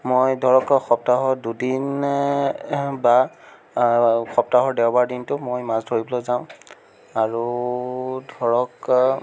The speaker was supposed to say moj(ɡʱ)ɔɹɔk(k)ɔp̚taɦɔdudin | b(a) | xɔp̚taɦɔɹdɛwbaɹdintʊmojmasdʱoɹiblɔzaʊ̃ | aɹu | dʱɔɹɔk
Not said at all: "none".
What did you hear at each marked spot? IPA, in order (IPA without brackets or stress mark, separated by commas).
dʱ, x, a